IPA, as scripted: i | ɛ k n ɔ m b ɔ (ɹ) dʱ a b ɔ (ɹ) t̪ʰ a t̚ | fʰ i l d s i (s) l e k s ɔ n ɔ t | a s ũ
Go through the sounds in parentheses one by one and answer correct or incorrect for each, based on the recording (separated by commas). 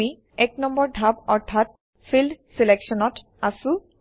correct, correct, incorrect